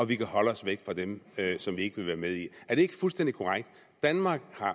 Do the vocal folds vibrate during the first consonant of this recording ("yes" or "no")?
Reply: yes